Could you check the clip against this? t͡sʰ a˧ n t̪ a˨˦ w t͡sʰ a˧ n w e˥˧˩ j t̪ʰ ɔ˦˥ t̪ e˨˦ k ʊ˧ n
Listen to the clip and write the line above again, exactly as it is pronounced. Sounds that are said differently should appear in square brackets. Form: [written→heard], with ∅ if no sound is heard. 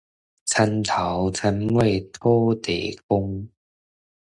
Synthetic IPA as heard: t͡sʰ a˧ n [t̪→t̪ʰ] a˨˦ w t͡sʰ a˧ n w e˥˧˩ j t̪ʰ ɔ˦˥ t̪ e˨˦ k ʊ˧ [n→ŋ]